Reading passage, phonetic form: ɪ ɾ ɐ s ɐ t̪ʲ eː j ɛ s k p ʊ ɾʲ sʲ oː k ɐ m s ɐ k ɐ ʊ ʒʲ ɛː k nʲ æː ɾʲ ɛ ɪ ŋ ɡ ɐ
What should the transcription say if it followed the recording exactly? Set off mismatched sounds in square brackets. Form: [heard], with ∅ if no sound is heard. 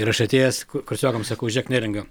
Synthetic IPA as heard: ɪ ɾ ɐ [ʃ] ɐ t̪ʲ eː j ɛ s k [k] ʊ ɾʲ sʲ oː k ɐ m s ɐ k ɐ ʊ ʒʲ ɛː k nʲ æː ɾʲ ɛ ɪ ŋ ɡ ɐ